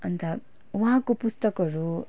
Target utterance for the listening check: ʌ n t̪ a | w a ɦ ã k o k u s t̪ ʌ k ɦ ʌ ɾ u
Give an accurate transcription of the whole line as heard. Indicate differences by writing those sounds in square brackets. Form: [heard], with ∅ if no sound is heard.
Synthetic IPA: ʌ n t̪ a | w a ɦ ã k o [p] u s t̪ ʌ k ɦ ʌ ɾ u